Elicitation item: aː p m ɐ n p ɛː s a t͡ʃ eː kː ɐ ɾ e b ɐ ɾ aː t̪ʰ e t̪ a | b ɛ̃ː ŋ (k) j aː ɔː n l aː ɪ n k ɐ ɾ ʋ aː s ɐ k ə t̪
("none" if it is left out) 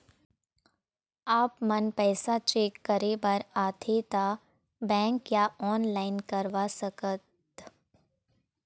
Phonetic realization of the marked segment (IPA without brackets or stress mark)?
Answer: k